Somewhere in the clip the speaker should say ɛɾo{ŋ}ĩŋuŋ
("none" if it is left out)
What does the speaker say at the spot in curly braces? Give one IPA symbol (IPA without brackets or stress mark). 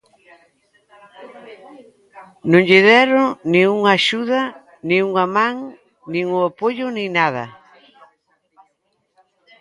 n